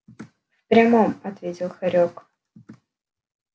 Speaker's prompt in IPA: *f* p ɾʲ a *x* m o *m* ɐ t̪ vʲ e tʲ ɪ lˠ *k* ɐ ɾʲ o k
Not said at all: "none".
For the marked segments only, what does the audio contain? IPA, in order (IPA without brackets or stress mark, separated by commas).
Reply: f, none, m, x